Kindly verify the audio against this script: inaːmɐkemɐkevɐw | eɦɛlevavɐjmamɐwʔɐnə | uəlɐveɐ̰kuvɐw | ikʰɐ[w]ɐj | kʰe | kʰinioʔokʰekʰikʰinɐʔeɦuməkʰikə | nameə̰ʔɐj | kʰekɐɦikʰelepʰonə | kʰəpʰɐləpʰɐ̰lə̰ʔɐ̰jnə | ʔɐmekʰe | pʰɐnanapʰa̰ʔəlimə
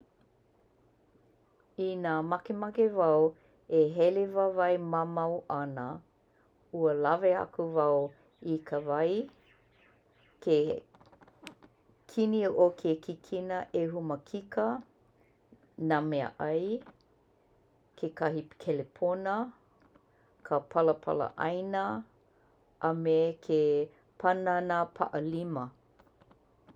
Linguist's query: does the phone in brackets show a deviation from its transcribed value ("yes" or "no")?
yes